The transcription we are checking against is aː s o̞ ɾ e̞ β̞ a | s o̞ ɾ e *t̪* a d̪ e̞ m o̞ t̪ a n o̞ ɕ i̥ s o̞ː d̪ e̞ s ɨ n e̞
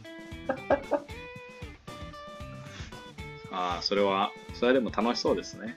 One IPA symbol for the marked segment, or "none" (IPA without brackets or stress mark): none